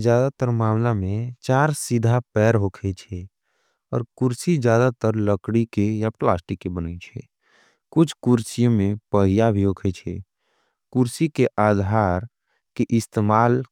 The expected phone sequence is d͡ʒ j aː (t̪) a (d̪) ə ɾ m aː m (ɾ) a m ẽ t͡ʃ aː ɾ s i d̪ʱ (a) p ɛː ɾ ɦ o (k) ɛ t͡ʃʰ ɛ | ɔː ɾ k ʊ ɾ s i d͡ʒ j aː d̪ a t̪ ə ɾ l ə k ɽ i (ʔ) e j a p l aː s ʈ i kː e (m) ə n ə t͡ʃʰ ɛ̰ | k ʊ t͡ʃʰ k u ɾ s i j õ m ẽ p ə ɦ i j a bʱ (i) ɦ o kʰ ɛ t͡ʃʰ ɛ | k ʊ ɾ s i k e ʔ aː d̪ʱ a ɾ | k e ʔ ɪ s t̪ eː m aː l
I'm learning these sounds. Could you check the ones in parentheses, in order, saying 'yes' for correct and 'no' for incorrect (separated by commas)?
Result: no, no, no, yes, no, no, no, yes